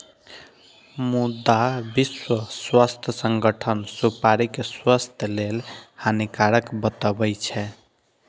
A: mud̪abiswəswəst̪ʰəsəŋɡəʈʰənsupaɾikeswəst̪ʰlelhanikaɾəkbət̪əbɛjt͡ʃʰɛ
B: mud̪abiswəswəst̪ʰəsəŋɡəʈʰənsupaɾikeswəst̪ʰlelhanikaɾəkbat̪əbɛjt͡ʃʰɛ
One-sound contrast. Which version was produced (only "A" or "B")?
A